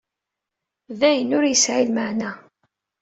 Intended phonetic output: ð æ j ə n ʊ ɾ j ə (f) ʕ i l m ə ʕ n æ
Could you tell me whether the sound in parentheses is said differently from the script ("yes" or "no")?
yes